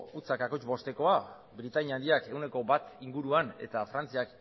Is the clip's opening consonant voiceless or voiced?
voiceless